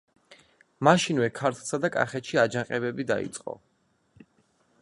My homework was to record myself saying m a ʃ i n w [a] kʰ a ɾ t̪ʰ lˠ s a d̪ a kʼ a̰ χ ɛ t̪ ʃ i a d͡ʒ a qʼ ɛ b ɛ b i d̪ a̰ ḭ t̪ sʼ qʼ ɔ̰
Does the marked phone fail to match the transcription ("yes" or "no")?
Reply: yes